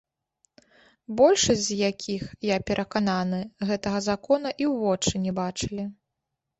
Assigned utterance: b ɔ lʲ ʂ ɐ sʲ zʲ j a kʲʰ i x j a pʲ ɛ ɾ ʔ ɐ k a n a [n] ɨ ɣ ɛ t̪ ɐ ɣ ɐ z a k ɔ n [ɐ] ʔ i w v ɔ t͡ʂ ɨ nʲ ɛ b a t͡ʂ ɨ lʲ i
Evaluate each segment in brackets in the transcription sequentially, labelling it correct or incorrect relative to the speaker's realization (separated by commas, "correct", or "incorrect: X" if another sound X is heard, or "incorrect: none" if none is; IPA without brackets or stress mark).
correct, correct